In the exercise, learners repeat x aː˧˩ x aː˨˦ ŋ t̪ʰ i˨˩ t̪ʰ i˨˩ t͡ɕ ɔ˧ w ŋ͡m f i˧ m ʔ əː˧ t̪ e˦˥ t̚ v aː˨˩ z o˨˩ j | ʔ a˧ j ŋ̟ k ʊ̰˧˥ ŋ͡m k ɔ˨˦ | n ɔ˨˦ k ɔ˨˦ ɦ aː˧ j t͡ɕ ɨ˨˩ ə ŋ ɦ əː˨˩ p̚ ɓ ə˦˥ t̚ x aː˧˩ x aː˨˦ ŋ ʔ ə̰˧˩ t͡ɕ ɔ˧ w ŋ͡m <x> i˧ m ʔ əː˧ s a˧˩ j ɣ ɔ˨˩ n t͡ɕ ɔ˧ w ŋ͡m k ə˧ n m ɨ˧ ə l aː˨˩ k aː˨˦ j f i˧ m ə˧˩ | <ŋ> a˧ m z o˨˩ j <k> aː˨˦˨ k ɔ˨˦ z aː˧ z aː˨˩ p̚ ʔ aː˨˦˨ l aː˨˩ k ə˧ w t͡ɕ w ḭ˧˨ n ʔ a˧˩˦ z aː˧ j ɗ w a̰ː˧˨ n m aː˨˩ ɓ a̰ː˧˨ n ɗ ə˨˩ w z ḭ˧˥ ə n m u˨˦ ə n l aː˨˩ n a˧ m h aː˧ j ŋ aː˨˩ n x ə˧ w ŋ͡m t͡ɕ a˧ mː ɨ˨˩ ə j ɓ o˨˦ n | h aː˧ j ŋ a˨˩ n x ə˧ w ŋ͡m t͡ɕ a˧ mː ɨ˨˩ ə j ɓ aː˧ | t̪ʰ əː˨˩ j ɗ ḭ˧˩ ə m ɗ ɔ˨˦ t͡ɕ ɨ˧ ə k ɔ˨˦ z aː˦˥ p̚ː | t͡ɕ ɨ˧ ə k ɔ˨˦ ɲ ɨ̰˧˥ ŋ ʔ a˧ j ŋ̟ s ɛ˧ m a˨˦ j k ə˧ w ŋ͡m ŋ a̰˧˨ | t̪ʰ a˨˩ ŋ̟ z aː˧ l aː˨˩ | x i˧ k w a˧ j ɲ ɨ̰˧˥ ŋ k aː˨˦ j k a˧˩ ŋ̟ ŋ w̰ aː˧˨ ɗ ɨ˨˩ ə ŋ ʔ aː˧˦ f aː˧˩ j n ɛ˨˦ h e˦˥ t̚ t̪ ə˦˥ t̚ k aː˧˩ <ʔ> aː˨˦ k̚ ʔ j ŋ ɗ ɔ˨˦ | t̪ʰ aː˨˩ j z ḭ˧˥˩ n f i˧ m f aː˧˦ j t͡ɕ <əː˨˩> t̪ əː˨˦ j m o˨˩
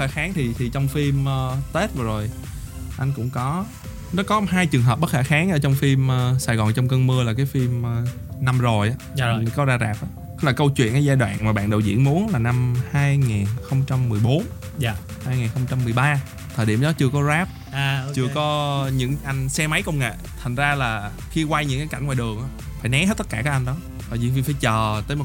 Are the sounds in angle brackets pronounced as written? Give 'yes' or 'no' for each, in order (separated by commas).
no, no, no, no, yes